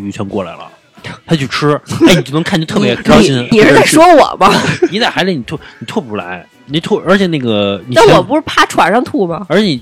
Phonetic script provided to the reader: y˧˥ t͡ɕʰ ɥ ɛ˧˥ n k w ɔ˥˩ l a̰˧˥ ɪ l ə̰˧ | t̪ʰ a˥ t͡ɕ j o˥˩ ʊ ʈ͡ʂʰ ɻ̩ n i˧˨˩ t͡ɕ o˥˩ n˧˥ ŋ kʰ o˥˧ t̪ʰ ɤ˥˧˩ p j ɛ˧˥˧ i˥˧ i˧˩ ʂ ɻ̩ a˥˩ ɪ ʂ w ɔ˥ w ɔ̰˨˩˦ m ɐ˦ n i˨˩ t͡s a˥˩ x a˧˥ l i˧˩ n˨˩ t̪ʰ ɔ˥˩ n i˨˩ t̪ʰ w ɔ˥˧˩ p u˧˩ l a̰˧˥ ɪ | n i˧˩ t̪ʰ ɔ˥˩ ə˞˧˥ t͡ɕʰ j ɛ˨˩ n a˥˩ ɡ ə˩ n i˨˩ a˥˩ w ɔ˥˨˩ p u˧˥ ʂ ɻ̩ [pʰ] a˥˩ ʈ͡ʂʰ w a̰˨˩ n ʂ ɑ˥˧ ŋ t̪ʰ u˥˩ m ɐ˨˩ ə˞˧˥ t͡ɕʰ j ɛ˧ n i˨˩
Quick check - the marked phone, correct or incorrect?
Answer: correct